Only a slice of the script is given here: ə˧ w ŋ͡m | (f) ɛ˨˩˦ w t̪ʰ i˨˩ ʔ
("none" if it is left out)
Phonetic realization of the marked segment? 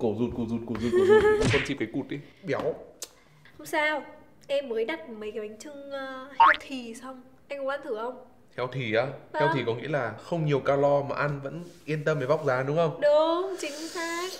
h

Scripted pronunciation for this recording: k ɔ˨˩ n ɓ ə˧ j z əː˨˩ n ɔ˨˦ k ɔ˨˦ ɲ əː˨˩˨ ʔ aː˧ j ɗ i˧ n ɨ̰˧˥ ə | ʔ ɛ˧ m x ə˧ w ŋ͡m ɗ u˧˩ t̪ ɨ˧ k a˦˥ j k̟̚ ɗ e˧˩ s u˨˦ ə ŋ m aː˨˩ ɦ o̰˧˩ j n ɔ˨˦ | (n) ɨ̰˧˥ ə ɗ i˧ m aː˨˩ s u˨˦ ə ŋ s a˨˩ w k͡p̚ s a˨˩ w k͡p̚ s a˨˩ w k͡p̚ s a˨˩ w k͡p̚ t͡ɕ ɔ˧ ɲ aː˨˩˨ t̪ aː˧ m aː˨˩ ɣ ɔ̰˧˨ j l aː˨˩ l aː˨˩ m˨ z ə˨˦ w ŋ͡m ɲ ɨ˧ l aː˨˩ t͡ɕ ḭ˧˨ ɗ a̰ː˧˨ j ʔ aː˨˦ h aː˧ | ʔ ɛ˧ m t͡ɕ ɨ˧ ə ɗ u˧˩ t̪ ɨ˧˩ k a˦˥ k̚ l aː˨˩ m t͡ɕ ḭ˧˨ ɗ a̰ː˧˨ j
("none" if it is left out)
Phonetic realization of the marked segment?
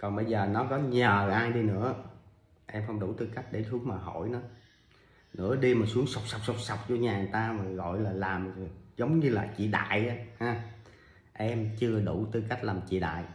n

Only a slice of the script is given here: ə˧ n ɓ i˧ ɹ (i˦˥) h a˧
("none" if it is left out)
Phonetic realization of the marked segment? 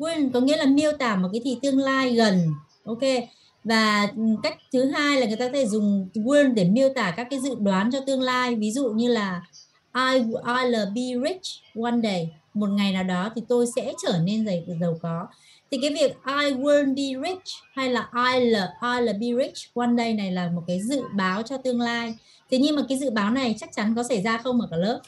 i˦˥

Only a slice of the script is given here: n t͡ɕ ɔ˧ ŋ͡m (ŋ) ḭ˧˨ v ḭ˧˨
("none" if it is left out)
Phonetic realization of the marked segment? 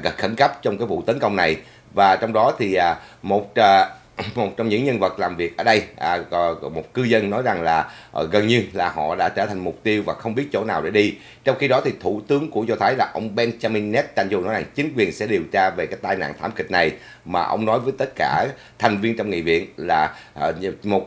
ŋ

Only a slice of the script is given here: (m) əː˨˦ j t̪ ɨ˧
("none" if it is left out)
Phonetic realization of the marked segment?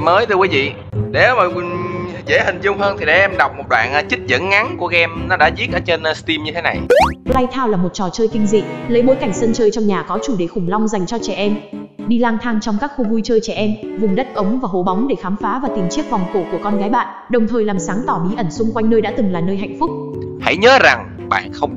m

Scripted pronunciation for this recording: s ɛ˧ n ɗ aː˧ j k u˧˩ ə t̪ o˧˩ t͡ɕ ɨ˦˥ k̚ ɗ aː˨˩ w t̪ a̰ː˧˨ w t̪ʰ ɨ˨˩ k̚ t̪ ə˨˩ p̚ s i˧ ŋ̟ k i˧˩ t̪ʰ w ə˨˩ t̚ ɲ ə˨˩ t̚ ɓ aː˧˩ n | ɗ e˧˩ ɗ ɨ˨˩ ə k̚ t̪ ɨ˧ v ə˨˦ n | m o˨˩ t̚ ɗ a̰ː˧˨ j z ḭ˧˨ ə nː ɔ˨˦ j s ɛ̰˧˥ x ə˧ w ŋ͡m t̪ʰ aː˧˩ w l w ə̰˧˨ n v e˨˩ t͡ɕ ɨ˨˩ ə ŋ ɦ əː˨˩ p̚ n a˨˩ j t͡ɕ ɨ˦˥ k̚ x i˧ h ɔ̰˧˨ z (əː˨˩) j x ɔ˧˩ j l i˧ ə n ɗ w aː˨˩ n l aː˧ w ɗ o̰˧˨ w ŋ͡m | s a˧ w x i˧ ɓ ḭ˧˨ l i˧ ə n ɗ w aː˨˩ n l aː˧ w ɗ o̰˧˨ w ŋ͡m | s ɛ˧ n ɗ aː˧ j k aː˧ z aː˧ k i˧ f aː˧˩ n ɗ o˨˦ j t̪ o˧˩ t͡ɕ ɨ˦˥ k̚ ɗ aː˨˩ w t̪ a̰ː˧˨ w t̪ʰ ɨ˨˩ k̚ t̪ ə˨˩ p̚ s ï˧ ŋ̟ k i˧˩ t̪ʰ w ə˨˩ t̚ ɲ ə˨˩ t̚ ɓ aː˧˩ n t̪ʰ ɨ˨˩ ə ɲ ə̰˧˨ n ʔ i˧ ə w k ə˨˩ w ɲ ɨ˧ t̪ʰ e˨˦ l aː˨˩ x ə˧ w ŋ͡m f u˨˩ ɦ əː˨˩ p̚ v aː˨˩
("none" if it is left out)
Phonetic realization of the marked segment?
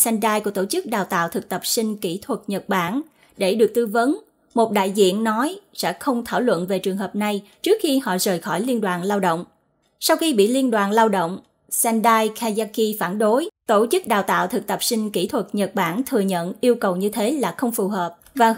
əː˨˩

